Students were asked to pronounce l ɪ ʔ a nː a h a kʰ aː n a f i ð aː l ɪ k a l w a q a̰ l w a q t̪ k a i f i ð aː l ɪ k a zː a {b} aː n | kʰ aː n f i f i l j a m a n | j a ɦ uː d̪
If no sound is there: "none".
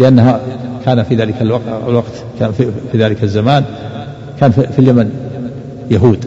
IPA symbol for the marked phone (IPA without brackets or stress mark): m